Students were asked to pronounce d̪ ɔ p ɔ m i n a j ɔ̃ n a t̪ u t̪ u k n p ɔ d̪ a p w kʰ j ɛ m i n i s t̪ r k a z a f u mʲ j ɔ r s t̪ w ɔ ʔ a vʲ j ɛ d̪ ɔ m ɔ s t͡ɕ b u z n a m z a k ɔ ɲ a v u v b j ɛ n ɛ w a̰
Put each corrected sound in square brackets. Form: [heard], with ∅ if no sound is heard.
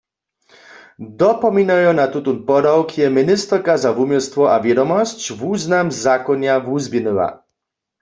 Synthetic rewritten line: d̪ ɔ p ɔ m i n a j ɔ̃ n a t̪ u t̪ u [∅] n p ɔ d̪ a [∅] w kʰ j ɛ m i n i s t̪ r k a z a [v] u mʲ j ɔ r s t̪ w ɔ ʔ a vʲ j ɛ d̪ ɔ m ɔ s t͡ɕ [v] u z n a m z a k ɔ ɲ a v u [z] b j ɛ n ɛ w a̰